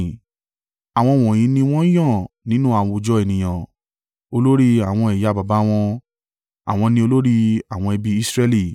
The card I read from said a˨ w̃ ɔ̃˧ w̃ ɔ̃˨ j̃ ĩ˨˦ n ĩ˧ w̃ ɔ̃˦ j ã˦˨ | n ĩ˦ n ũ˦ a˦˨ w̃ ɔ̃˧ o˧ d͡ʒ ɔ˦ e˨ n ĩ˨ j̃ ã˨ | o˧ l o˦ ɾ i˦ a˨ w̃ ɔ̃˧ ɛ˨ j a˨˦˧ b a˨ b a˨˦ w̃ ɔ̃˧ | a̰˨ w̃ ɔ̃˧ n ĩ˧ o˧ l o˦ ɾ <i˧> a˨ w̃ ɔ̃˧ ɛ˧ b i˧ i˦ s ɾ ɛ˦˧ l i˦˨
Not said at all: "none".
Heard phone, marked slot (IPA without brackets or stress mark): i˧